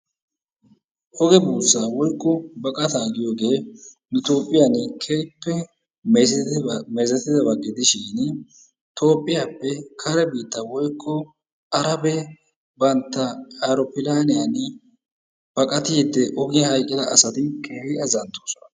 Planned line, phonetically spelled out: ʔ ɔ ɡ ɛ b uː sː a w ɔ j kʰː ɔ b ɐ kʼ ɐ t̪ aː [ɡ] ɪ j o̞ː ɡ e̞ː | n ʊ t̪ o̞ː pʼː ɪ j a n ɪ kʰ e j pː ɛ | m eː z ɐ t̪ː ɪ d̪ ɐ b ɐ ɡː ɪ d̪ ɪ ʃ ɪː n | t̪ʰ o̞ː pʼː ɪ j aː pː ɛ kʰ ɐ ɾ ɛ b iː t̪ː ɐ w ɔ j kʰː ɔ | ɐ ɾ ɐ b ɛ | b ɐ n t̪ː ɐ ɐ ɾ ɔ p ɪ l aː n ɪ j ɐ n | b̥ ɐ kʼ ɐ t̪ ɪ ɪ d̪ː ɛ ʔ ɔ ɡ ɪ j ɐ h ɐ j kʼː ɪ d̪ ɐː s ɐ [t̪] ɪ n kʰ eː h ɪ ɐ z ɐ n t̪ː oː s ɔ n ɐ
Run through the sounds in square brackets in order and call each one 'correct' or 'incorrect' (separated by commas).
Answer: correct, correct